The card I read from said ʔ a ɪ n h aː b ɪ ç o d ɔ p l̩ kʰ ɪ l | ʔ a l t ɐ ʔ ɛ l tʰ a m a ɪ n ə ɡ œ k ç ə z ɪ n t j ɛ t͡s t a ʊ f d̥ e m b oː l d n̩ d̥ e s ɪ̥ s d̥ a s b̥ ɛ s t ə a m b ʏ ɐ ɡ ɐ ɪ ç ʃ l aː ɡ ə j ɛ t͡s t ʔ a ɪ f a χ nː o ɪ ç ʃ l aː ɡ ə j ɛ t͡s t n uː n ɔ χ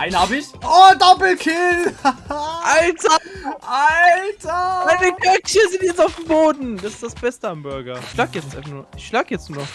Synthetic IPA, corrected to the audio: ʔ a ɪ n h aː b ɪ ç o d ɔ p l̩ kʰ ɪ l | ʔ a l t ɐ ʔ a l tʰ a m a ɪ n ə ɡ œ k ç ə z ɪ n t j ɛ t͡s t a ʊ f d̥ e m b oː d n̩ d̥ a s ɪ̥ s d̥ a s b̥ ɛ s t ə a m b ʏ ɐ ɡ ɐ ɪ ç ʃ l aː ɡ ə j ɛ t͡s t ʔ a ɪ f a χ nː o ɪ ç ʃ l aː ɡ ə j ɛ t͡s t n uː n ɔ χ